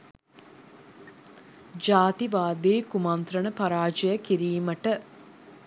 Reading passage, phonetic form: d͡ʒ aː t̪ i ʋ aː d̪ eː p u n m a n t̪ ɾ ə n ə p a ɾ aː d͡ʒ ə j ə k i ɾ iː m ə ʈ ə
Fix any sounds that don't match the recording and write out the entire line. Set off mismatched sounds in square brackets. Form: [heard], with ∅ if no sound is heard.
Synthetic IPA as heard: d͡ʒ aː t̪ i ʋ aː d̪ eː [k] u [∅] m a n t̪ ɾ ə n ə p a ɾ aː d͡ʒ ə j ə k i ɾ iː m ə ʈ ə